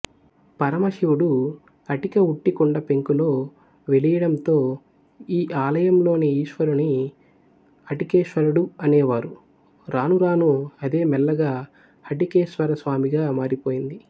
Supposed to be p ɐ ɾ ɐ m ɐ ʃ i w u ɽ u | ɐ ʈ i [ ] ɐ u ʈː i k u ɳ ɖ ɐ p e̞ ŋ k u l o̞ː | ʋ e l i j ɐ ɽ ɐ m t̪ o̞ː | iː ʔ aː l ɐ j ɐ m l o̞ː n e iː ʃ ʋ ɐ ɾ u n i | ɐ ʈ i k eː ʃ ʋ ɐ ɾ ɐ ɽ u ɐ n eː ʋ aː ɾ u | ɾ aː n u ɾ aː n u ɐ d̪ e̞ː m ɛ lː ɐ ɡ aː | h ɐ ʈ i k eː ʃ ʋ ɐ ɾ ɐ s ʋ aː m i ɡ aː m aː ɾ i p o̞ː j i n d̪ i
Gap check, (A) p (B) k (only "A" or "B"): B